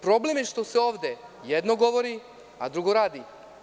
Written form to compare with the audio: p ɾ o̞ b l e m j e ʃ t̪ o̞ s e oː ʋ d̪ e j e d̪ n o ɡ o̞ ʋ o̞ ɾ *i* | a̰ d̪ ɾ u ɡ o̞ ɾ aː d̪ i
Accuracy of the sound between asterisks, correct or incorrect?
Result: correct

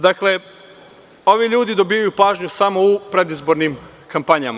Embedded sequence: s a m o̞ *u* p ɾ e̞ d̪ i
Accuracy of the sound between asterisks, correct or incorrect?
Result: correct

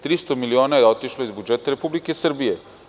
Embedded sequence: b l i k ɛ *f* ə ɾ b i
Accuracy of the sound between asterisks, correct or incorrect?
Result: incorrect: s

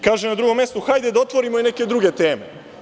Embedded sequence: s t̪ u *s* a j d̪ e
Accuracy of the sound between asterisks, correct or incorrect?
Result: incorrect: x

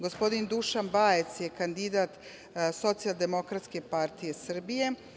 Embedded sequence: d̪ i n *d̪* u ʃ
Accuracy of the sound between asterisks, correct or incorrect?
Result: correct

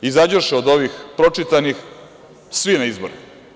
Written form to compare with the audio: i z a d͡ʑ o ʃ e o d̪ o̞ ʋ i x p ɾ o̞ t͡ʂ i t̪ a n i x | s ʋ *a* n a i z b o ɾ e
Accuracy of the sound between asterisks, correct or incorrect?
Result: incorrect: i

